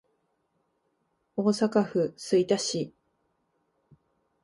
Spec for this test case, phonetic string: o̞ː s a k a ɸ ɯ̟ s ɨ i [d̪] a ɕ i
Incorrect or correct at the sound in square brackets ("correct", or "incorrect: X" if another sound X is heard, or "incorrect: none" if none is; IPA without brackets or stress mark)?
incorrect: t̪